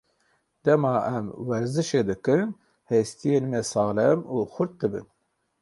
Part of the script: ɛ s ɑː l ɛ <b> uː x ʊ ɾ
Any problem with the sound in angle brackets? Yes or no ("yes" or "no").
yes